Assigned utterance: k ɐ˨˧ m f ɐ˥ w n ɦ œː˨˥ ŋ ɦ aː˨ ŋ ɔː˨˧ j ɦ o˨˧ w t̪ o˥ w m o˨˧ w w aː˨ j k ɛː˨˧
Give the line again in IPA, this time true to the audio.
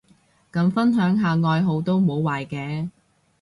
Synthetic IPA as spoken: k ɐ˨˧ m f ɐ˥ n ɦ œː˨˥ ŋ ɦ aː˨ ŋ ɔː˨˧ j ɦ o˨˧ w t̪ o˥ w m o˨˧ w w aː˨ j k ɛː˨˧

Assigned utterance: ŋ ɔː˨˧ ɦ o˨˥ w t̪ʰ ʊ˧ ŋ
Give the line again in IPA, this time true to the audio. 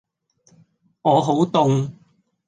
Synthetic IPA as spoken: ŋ ɔː˨˧ ɦ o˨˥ w t̪ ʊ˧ ŋ

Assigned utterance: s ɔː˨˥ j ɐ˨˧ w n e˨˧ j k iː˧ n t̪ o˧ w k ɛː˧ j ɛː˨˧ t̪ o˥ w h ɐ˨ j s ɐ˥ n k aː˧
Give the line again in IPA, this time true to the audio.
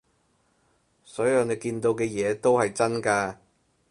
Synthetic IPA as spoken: s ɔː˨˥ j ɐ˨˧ w n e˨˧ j k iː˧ n t̪ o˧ w k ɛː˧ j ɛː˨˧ t̪ o˥ w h ɐ˨ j t͡s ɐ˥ n k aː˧

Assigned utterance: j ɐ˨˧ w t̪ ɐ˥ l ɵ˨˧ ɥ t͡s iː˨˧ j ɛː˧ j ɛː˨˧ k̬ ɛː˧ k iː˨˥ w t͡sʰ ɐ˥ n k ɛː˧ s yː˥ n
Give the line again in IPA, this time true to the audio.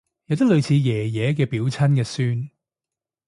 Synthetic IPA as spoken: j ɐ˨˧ w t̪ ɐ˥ l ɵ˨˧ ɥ t͡sʰ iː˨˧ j ɛː˨˩ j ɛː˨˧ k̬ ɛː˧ p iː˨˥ w t͡sʰ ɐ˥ n k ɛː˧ s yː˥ n

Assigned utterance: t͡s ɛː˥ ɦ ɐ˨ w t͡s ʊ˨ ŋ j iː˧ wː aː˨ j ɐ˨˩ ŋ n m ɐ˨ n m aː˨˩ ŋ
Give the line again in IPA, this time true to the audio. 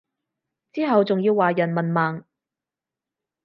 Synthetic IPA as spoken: t͡s iː˥ ɦ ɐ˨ w t͡s ʊ˨ ŋ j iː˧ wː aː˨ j ɐ˨˩ n m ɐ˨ n m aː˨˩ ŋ

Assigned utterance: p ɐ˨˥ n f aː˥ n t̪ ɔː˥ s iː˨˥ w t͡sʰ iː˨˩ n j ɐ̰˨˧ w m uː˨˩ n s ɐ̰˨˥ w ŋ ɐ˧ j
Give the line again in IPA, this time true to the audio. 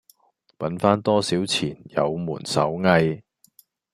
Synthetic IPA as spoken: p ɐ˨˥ n f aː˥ n t̪ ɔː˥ s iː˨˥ w t͡sʰ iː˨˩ n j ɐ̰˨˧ w m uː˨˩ n s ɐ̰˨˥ w ŋ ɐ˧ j

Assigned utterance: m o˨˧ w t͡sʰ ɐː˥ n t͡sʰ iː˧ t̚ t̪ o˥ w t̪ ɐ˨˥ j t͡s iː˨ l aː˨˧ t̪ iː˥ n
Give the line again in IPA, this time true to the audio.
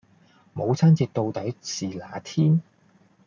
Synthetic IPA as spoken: m o˨˧ w t͡sʰ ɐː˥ n t͡s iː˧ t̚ t̪ o˧ w t̪ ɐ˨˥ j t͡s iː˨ l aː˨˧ t̪ʰ iː˥ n

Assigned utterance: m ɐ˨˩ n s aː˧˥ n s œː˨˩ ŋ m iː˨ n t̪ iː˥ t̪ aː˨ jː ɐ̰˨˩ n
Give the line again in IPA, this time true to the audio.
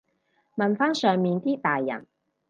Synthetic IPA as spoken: m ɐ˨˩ n f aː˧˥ n s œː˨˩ ŋ m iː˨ n t̪ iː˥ t̪ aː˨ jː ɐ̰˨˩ n

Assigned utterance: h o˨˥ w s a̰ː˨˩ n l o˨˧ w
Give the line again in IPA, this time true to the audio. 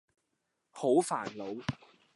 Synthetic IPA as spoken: h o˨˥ w f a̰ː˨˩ n l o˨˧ w

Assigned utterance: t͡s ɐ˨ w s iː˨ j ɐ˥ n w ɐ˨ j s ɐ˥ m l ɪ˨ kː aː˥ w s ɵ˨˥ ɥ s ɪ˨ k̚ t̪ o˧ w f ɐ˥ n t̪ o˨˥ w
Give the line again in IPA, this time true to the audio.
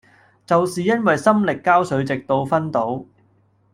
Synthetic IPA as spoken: t͡s ɐ˨ w s iː˨ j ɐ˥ n w ɐ˨ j s ɐ˥ m l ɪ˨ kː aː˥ w s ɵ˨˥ ɥ t͡s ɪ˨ k̚ t̪ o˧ w f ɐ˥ n t̪ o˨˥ w

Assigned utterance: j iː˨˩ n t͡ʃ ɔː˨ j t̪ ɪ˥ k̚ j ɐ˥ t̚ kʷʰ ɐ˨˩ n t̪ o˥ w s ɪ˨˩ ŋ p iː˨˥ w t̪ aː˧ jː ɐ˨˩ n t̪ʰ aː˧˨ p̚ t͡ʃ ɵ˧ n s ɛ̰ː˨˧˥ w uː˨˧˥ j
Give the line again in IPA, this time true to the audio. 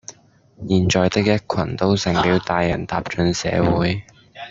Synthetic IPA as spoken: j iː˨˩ n t͡ʃ ɔː˨ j t̪ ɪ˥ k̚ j ɐ˥ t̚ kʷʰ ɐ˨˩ n t̪ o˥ w s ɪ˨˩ ŋ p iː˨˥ w t̪ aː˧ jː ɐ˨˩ n t̪ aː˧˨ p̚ t͡ʃ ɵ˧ n s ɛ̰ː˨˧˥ w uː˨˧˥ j

